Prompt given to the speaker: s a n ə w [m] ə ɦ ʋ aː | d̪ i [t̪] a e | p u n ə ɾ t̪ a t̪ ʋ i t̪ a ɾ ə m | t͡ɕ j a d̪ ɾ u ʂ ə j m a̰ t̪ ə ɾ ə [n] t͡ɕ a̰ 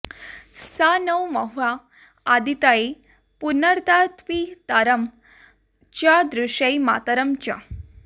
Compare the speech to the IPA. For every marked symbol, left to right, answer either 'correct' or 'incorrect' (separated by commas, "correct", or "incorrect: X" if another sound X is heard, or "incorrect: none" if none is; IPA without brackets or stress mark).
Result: correct, correct, incorrect: m